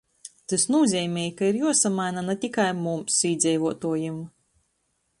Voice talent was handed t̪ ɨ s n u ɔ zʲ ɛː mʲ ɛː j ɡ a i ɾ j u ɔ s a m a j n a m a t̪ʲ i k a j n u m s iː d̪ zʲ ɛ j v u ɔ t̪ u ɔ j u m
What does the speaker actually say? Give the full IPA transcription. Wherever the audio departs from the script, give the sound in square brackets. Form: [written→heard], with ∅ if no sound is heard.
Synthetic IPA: t̪ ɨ s n u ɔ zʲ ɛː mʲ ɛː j [ɡ→k] a i ɾ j u ɔ s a m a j n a [m→n] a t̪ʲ i k a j [n→m] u m s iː d̪ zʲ ɛ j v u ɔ t̪ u ɔ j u m